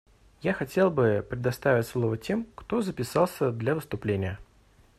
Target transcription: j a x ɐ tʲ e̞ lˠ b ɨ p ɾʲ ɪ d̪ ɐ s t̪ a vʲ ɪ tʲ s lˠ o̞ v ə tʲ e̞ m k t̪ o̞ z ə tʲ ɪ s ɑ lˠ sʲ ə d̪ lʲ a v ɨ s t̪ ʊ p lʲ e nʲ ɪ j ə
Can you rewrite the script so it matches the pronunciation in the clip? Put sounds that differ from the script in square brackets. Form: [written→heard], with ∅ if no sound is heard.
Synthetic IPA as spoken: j a x ɐ tʲ e̞ lˠ b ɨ p ɾʲ ɪ d̪ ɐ s t̪ a vʲ ɪ tʲ s lˠ o̞ v ə tʲ e̞ m k t̪ o̞ z ə [tʲ→pʲ] ɪ s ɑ lˠ sʲ ə d̪ lʲ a v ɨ s t̪ ʊ p lʲ e nʲ ɪ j ə